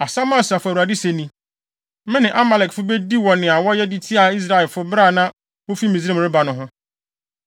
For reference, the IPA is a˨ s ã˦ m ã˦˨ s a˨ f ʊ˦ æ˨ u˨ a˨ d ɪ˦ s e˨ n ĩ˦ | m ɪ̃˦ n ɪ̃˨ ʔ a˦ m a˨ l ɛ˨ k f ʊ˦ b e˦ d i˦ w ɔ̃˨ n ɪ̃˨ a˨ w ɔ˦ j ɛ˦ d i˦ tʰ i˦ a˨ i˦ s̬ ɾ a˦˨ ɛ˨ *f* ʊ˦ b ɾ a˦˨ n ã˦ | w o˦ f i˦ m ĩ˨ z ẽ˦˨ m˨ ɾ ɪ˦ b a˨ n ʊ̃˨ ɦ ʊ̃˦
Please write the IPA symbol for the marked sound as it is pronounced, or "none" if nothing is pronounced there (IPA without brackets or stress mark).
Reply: f